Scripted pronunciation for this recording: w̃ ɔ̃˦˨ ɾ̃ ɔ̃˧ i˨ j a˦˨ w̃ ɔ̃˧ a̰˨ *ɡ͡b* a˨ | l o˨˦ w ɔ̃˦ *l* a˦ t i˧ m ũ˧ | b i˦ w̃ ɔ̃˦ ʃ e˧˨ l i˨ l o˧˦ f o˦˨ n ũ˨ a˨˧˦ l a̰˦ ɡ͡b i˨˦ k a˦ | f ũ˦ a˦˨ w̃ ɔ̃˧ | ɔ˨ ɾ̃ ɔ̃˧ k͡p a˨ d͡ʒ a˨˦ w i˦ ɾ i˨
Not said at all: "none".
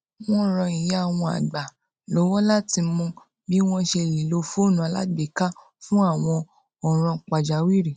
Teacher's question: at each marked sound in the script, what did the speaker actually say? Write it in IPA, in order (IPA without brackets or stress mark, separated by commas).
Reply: ɡ͡b, l